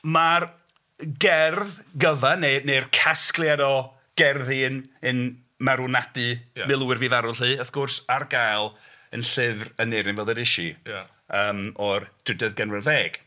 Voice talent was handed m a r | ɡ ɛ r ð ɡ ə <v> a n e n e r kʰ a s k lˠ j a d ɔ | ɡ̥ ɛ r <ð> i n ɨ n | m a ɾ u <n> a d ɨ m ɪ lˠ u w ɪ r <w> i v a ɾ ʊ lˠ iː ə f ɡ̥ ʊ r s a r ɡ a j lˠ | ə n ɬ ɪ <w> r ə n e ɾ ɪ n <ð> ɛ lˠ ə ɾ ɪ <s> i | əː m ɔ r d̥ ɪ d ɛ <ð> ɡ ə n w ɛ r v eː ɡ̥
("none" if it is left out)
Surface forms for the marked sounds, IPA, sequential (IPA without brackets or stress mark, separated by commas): v, ð, n, v, v, v, ʃ, ð